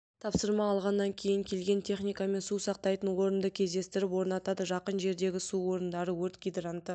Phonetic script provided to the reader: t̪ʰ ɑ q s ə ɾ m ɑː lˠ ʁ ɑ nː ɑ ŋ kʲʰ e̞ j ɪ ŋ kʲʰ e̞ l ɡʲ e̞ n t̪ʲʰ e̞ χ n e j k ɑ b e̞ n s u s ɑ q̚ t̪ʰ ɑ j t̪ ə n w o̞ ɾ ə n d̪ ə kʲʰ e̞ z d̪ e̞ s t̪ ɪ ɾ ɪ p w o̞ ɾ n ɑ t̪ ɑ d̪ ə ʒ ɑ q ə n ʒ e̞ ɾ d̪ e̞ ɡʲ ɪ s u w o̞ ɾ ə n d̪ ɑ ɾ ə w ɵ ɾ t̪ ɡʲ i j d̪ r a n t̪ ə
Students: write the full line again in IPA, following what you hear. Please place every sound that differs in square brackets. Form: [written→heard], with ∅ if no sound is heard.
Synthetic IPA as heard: t̪ʰ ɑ [q→p] s ə ɾ m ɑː lˠ ʁ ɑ nː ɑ ŋ kʲʰ e̞ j ɪ ŋ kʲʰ e̞ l ɡʲ e̞ n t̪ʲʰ e̞ χ n [e→i] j k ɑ [b→m] e̞ n s u s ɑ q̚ [t̪ʰ→t̪] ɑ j t̪ ə n w o̞ ɾ ə n d̪ ə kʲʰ e̞ z d̪ e̞ s t̪ ɪ ɾ ɪ p w o̞ ɾ n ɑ t̪ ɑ d̪ ə ʒ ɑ q ə n ʒ e̞ ɾ d̪ e̞ ɡʲ ɪ s u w o̞ ɾ ə n d̪ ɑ ɾ ə w ɵ ɾ t̪ ɡʲ i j d̪ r a n t̪ ə